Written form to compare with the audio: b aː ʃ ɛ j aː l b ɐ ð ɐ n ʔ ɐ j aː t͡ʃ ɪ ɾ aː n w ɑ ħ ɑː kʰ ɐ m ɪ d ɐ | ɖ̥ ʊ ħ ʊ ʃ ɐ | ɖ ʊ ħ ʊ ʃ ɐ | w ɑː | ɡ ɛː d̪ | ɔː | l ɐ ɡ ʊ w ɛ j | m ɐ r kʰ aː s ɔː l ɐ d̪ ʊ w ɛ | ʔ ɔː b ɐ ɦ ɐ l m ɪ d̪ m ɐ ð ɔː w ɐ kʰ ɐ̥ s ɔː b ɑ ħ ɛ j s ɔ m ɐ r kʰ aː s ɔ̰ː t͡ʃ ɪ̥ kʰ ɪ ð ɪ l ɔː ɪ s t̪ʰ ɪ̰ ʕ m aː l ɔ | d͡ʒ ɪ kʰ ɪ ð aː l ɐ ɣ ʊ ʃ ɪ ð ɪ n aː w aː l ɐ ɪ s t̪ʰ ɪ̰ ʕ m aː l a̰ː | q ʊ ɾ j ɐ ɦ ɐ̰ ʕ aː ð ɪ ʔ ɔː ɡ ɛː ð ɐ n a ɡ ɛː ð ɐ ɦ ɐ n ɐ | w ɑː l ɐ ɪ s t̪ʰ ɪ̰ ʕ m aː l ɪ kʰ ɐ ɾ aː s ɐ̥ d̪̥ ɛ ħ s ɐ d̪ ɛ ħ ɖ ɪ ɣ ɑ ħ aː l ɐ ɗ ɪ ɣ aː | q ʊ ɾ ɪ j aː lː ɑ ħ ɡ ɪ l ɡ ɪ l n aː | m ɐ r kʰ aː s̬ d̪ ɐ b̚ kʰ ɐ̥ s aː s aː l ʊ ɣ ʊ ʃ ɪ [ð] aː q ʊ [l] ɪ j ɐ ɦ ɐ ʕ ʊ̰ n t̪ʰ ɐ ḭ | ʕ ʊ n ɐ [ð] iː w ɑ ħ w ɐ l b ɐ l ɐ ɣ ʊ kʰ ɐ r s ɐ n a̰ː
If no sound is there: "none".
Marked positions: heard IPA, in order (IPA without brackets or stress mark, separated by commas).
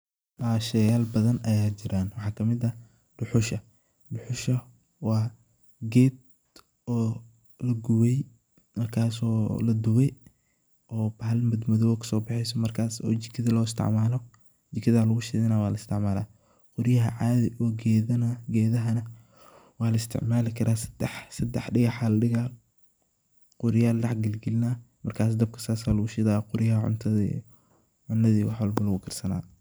ð, ɾ, ð